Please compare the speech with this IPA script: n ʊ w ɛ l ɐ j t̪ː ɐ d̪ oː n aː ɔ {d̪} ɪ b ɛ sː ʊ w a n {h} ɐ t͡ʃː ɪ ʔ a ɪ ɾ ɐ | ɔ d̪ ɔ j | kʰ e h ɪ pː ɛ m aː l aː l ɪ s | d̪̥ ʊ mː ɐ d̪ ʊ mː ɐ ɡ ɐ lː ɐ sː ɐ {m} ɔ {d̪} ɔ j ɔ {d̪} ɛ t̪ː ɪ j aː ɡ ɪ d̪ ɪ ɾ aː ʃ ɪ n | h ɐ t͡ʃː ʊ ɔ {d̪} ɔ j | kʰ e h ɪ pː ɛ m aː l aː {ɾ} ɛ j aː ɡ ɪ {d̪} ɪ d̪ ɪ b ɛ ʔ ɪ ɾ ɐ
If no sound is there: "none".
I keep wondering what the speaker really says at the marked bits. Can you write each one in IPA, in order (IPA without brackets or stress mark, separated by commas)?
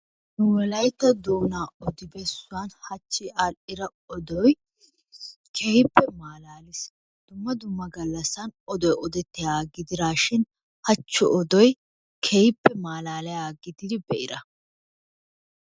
d̪, h, n, d̪, d̪, d̪, l, d̪